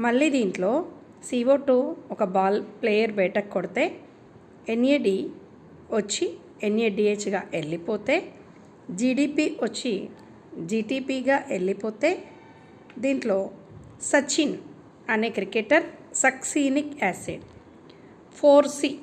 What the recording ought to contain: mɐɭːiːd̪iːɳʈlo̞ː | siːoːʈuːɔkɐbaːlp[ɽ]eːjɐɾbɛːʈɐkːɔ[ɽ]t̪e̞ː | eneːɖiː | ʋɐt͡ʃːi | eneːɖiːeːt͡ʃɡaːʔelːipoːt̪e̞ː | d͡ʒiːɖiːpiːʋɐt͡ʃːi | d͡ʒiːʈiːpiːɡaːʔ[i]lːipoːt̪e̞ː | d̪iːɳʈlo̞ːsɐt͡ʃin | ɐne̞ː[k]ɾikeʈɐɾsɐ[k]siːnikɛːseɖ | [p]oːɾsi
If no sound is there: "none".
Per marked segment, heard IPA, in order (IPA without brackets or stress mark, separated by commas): l, ɽ, e, k, k, pʰ